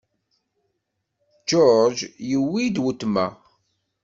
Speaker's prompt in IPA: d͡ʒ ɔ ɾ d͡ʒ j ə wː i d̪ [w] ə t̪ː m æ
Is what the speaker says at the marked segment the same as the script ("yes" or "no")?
yes